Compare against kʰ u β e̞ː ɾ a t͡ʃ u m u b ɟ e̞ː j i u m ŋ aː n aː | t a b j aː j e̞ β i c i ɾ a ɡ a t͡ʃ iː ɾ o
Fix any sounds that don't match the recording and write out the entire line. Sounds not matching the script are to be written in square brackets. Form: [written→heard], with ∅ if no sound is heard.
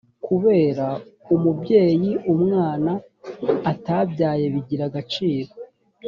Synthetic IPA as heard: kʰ u β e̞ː ɾ a [t͡ʃ→∅] u m u b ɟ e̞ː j i u m ŋ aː n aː | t a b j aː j e̞ β i [c→ɟ] i ɾ a ɡ a t͡ʃ iː ɾ o